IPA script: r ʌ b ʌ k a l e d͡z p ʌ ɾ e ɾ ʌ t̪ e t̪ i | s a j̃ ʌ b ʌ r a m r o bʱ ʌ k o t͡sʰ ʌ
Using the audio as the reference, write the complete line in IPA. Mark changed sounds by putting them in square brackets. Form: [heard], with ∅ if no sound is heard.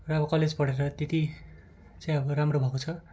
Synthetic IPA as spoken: r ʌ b ʌ k [ʌ] l e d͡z p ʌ [ɽ] e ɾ ʌ t̪ e t̪ i | [t͡s] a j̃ ʌ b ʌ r a m r o bʱ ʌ k o t͡sʰ ʌ